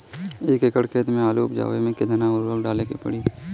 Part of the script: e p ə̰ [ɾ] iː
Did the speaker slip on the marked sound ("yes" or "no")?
yes